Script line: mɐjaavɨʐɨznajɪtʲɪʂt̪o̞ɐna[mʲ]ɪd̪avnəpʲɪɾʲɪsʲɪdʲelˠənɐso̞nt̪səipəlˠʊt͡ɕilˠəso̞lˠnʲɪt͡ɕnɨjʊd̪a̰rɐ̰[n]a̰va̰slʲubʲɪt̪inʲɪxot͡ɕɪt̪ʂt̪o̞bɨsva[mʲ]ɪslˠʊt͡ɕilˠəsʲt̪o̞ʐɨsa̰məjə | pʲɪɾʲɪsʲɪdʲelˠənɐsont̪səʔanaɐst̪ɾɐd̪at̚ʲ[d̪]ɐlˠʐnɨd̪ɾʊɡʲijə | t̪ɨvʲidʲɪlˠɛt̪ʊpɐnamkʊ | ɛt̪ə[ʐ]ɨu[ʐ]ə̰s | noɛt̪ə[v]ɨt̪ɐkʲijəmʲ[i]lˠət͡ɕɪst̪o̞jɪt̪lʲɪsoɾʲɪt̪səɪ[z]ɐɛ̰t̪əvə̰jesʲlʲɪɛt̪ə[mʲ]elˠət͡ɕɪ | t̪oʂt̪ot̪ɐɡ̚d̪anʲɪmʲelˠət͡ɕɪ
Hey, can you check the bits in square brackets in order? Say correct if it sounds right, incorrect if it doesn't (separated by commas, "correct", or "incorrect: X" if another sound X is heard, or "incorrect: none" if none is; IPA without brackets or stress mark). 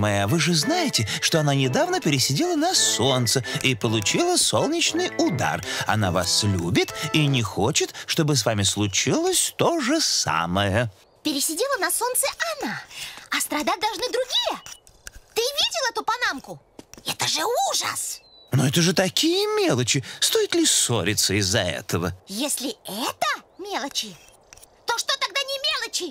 incorrect: nʲ, correct, correct, correct, correct, correct, incorrect: ʐ, incorrect: e, incorrect: zː, correct